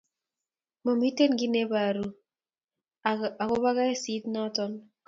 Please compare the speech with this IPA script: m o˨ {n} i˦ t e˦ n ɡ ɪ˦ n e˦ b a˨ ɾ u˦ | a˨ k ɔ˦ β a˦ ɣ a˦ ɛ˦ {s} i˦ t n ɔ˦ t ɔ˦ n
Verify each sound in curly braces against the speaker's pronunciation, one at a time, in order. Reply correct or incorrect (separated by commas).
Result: incorrect, correct